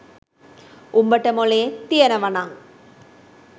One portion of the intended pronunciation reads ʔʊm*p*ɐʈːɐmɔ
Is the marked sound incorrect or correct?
incorrect